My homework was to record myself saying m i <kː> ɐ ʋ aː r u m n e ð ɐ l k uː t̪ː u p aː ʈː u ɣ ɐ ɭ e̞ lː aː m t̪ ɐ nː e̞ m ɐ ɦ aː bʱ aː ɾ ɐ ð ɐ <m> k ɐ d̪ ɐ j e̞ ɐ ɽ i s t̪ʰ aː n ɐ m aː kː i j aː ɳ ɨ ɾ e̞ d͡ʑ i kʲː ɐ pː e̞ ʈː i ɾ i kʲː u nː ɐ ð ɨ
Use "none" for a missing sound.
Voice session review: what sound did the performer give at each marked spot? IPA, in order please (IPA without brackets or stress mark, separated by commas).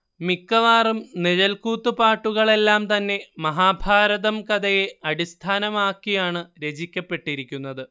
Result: kː, m